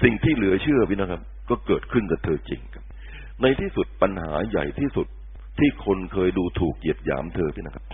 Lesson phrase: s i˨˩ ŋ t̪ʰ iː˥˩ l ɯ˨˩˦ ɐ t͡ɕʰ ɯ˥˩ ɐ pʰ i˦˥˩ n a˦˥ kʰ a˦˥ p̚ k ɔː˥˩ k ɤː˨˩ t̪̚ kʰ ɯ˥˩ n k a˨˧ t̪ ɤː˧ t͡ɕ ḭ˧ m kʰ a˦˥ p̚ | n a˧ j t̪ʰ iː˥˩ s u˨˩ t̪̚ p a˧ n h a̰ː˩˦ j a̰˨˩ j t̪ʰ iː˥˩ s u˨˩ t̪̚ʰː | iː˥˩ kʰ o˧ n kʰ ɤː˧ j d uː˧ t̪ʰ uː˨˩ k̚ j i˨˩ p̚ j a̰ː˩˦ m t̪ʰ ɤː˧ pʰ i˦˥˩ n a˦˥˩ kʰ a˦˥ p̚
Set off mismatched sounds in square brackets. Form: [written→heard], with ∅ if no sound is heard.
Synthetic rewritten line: s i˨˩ ŋ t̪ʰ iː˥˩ l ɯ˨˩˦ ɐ t͡ɕʰ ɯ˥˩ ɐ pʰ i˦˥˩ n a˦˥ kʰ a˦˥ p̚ k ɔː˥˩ k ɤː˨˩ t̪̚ kʰ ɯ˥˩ n k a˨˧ [t̪→t̪ʰ] ɤː˧ t͡ɕ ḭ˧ [m→ŋ] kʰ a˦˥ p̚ | n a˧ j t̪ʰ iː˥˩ s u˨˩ t̪̚ p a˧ n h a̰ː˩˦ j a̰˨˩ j t̪ʰ iː˥˩ s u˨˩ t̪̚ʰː | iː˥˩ kʰ o˧ n kʰ ɤː˧ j d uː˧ t̪ʰ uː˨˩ k̚ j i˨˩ p̚ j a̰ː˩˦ m t̪ʰ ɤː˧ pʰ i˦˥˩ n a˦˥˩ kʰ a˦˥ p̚